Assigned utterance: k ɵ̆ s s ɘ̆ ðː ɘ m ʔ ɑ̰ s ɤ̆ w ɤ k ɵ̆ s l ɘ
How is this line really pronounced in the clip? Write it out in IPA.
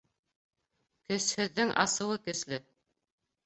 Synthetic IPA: k ɵ̆ s h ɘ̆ ðː ɘ ŋ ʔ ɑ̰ s ɤ̆ w ɤ k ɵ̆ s l ɘ